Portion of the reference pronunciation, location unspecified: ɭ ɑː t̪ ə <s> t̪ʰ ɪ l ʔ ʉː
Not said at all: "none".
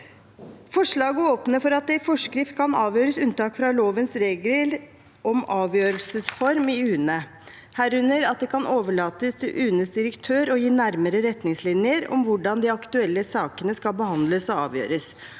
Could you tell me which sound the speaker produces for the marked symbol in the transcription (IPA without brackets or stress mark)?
s